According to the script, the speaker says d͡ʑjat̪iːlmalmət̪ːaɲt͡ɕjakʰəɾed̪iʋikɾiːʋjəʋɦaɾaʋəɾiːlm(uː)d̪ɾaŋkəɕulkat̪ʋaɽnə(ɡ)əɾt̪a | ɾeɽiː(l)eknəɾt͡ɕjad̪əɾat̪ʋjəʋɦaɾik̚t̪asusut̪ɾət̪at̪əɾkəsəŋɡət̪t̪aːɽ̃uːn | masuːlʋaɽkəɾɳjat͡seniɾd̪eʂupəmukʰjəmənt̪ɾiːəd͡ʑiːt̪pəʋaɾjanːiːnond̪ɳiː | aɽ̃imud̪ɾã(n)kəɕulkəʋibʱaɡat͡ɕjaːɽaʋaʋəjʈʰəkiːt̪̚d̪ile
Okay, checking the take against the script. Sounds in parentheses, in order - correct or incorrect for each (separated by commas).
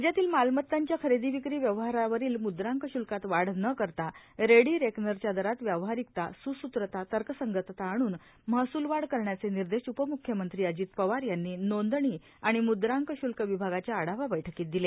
incorrect, incorrect, incorrect, incorrect